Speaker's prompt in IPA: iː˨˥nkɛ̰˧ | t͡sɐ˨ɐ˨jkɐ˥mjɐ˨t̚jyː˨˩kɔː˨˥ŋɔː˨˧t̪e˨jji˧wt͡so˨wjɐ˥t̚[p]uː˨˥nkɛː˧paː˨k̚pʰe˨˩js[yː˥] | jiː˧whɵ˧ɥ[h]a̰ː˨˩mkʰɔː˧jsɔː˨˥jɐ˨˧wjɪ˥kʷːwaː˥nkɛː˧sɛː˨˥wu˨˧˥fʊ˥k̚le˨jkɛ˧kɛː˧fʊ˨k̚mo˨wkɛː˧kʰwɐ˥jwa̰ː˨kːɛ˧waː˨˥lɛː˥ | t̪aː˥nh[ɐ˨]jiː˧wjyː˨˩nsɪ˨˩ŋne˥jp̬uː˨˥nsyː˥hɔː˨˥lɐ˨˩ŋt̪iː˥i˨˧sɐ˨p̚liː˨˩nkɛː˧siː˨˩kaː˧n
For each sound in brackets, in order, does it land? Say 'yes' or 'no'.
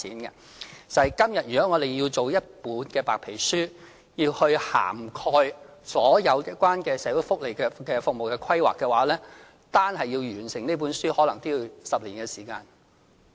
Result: yes, yes, yes, yes

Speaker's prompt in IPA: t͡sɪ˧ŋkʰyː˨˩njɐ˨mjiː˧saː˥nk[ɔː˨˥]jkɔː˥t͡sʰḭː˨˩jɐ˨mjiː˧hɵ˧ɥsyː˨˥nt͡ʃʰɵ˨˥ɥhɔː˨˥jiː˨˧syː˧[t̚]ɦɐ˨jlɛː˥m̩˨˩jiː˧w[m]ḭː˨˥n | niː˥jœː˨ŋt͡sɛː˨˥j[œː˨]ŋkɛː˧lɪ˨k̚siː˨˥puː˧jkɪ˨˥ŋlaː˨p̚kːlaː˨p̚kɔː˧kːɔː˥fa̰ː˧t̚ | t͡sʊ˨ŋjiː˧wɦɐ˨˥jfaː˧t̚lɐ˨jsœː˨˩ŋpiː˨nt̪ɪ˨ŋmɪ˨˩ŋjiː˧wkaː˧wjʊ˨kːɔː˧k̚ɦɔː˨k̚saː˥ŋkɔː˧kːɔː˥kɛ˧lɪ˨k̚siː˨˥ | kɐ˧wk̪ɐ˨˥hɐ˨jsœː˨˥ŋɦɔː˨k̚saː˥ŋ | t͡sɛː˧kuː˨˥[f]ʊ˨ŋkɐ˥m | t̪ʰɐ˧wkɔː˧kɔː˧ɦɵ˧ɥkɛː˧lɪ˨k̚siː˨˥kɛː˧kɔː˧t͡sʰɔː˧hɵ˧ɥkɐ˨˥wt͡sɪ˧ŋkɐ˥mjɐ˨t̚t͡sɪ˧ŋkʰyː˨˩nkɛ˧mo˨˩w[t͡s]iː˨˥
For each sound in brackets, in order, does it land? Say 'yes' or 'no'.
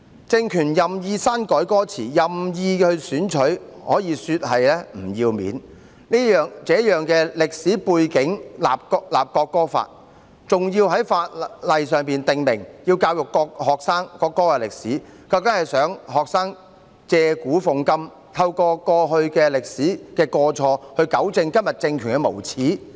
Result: yes, yes, yes, yes, yes, no

